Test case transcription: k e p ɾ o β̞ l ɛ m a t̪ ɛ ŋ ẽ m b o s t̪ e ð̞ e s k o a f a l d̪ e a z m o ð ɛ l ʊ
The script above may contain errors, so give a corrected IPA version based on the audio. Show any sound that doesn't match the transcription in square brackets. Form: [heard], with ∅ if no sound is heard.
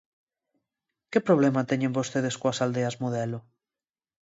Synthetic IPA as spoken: k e p ɾ o β̞ l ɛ m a t̪ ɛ [ɲ] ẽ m b o s t̪ e ð̞ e s k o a [s] a l d̪ e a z m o ð ɛ l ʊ